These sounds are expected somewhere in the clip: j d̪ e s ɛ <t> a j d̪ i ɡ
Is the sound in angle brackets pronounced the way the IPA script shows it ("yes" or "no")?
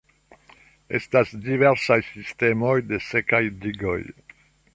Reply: no